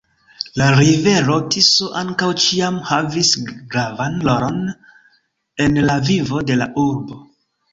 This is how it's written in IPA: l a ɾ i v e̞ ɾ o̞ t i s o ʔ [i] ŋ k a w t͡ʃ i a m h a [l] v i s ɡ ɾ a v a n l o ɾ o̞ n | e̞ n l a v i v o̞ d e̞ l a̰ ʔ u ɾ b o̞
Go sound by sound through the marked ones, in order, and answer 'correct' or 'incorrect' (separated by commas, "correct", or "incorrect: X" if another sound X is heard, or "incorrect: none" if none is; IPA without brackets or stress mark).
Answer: incorrect: a, incorrect: none